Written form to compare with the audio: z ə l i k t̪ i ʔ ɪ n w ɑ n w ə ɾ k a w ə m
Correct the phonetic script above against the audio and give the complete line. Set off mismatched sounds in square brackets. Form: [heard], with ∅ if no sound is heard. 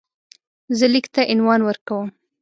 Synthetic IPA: z ə l i k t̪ [a] ʔ ɪ n w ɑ n w ə ɾ k a w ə m